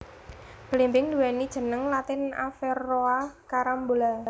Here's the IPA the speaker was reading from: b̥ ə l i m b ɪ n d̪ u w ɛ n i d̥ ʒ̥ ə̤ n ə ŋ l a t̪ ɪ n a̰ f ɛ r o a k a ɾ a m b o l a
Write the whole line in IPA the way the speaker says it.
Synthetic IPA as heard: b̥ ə l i m b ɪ ŋ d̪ u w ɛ n i d̥ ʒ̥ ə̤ n ə ŋ l a t̪ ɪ n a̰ f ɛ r o a k a ɾ a m b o l a